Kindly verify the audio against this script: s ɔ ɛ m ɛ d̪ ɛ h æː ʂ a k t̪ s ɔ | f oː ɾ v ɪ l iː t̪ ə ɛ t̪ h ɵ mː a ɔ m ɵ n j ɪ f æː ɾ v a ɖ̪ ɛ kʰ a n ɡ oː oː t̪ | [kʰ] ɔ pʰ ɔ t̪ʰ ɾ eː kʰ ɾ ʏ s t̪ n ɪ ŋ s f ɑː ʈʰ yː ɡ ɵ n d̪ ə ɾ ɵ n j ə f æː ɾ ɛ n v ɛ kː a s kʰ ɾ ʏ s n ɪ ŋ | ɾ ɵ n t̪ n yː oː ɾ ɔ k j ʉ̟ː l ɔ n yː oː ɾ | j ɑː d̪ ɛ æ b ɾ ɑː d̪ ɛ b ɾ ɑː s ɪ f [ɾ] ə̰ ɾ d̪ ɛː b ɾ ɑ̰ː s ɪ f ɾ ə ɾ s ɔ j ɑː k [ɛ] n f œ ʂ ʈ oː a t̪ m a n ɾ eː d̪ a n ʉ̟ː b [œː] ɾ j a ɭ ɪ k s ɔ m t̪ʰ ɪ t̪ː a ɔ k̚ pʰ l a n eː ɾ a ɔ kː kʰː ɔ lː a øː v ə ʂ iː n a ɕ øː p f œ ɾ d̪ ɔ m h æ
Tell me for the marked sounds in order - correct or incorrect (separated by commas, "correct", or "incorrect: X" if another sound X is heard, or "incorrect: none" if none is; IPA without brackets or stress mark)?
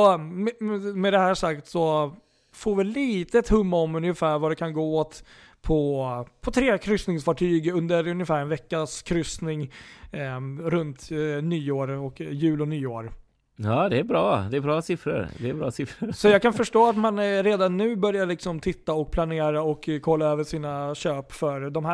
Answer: incorrect: pʰ, correct, incorrect: a, incorrect: œ